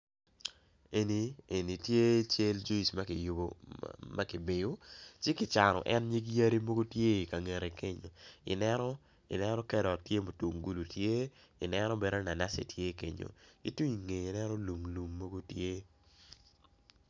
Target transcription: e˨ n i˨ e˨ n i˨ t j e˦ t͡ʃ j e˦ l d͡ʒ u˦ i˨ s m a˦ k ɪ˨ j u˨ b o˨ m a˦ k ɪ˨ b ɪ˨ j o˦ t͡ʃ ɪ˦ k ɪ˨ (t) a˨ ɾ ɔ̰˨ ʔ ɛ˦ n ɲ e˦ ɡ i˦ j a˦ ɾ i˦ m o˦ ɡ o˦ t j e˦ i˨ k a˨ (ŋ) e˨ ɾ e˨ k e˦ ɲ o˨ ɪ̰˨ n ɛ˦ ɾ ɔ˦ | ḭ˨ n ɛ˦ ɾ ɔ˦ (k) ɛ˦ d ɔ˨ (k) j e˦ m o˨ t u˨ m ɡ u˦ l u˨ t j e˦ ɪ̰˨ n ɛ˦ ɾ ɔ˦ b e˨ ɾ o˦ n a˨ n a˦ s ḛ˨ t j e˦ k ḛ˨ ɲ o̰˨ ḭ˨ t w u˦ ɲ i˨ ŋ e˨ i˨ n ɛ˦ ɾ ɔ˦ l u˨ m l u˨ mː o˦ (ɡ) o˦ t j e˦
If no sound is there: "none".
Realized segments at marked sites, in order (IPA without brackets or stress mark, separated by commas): t͡ʃ, ŋ, k, t, ɡ